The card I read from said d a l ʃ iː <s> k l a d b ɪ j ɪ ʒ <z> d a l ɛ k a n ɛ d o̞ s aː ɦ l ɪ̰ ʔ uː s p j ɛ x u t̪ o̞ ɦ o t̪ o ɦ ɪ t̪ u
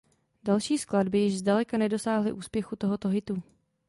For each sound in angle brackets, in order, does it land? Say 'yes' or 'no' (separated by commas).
yes, yes